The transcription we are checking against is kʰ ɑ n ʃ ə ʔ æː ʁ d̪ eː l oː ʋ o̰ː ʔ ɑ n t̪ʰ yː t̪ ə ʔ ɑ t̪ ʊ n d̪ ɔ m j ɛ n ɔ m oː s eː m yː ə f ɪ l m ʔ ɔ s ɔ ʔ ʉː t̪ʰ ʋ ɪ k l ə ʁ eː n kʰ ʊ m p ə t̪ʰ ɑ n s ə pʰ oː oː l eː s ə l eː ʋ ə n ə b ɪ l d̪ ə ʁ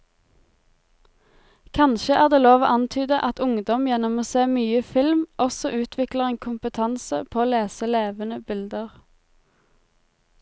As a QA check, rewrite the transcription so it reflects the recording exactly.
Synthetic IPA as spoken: kʰ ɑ n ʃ ə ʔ æː ʁ d̪ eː l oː ʋ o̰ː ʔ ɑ n t̪ʰ yː d̪ ə ʔ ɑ t̪ ʊ ŋ d̪ ɔ m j ɛ n ɔ m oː s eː m yː ə f ɪ l m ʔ ɔ s ɔ ʔ ʉː t̪ʰ ʋ ɪ k l ə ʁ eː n kʰ ʊ m p ə t̪ʰ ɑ n s ə pʰ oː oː l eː s ə l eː ʋ ə n ə b ɪ l d̪ ə ʁ